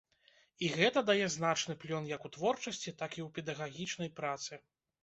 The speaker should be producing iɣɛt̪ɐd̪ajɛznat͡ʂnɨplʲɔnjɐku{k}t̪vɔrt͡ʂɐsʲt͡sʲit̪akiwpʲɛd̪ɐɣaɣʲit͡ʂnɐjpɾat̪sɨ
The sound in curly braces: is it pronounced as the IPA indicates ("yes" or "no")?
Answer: no